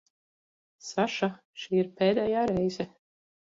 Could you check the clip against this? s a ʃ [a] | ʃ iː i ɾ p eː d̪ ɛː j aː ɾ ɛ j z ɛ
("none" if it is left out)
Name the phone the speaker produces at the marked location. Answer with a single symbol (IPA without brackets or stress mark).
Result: a